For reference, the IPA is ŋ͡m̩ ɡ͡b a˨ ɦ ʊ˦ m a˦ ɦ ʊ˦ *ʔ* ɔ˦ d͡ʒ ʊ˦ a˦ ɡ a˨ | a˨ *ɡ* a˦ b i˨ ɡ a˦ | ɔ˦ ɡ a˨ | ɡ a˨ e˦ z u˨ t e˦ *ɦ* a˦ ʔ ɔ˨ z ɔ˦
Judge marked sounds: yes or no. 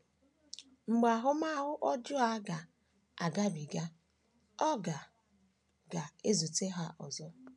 yes, yes, yes

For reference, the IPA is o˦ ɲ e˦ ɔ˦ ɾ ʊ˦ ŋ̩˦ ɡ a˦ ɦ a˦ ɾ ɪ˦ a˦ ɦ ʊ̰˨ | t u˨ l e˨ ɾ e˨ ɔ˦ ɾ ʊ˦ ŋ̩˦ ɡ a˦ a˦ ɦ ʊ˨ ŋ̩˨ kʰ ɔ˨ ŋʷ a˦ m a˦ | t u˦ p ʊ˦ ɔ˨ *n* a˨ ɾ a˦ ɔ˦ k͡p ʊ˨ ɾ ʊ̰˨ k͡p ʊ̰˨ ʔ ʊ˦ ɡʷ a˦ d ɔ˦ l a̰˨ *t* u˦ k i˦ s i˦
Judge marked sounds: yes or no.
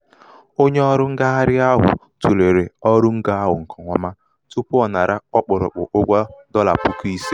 yes, no

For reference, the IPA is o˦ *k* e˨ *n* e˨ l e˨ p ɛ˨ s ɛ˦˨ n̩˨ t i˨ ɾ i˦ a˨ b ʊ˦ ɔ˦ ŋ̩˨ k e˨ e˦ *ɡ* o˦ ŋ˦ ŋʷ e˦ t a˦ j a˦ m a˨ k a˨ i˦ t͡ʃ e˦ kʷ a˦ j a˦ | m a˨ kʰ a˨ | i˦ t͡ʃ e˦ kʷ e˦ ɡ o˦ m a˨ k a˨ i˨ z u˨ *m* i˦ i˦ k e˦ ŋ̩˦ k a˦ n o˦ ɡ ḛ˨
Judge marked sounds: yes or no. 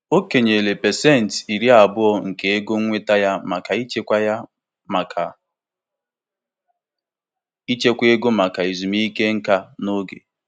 yes, no, yes, yes

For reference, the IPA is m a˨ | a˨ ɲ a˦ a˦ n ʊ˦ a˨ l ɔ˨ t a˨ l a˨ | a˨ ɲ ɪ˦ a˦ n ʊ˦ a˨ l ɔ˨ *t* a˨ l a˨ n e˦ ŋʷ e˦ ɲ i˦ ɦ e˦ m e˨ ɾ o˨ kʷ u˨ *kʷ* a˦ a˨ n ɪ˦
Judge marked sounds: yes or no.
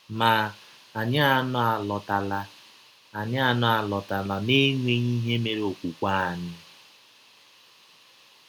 yes, yes

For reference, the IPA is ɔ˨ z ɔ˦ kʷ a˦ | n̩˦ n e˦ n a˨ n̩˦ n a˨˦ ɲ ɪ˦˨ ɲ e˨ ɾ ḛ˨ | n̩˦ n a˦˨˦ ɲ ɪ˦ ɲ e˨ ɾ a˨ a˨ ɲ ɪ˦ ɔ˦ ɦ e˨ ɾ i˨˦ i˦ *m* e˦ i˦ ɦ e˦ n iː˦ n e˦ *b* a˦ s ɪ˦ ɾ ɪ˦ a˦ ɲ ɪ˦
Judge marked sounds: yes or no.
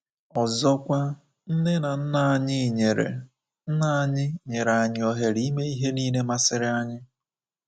yes, no

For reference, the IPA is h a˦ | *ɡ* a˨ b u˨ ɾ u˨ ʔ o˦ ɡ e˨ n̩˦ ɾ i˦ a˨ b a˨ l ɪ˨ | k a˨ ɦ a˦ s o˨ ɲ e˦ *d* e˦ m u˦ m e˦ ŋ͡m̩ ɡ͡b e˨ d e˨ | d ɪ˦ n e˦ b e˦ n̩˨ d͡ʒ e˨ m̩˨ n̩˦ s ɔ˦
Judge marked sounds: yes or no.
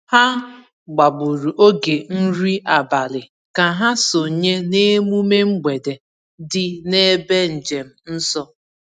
no, no

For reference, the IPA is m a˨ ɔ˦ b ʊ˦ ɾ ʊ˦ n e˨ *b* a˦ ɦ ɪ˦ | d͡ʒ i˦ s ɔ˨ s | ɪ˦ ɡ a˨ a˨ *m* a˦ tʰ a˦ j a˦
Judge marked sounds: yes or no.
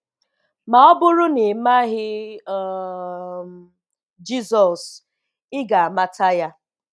no, yes

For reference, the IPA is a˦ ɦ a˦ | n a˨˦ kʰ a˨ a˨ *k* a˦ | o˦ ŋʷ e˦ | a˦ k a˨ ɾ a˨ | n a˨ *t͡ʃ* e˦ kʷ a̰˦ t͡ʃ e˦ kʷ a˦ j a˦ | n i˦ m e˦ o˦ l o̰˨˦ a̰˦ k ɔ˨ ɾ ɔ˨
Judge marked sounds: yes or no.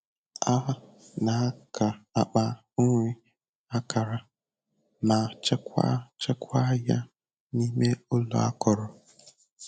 no, yes

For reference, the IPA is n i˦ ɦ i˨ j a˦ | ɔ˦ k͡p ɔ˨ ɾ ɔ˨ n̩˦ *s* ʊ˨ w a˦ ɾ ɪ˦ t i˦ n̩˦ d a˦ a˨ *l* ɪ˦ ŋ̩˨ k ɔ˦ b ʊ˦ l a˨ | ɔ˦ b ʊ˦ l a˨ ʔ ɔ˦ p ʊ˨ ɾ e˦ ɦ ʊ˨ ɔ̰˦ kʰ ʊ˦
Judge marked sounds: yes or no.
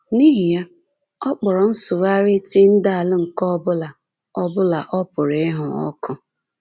yes, yes

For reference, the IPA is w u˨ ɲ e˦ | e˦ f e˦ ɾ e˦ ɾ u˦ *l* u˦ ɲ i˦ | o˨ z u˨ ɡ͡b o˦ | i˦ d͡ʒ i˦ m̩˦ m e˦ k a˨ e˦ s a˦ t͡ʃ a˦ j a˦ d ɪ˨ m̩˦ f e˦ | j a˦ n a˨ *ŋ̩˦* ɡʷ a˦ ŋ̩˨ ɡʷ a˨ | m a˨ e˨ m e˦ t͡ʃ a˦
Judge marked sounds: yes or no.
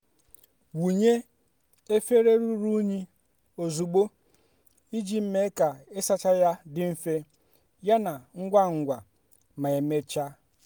no, yes

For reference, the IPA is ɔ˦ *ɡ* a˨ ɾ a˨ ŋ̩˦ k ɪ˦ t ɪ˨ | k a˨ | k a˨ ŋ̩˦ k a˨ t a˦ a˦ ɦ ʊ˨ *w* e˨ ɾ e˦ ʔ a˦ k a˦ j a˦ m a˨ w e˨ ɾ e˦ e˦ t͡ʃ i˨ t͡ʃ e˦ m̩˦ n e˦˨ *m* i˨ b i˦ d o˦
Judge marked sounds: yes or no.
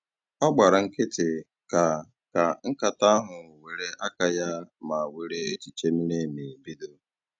no, yes, yes

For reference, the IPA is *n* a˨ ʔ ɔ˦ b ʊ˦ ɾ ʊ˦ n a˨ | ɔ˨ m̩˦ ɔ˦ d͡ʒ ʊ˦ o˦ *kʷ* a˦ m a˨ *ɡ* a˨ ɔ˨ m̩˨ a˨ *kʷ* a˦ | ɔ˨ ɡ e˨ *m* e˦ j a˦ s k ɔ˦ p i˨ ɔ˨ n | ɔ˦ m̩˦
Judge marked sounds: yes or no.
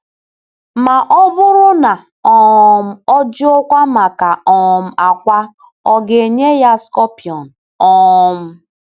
no, yes, no, yes, no

